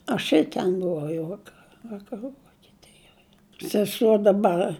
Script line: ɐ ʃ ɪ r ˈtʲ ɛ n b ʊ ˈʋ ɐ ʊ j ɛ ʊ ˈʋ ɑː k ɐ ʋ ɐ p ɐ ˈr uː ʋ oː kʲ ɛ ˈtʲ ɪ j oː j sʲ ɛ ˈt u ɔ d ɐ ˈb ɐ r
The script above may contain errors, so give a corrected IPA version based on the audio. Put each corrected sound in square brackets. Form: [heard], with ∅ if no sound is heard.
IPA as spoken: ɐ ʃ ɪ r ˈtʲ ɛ n b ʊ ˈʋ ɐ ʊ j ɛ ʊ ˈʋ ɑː k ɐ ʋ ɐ [k] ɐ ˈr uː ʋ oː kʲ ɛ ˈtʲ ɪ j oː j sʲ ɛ [ˈs] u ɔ d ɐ ˈb ɐ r